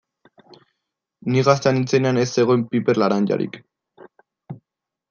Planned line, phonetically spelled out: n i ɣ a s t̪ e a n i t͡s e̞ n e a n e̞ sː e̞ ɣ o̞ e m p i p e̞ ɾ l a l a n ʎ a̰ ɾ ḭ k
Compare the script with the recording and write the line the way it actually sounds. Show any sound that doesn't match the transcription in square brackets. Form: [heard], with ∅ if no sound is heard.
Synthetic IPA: n i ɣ a s t̪ e a n i t͡s e̞ n e a n e̞ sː e̞ ɣ o̞ e m p i p e̞ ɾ l a [ɾ] a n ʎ a̰ ɾ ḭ k